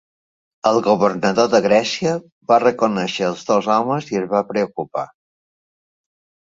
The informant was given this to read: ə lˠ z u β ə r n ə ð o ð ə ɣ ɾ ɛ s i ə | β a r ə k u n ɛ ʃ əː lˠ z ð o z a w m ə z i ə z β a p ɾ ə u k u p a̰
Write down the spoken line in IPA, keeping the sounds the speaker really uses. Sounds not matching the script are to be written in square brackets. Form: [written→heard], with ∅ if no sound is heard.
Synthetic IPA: ə lˠ [z→ɣ] u β ə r n ə ð o ð ə ɣ ɾ ɛ s i ə | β a r ə k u n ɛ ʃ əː lˠ z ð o z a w m ə z i ə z β a p ɾ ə u k u p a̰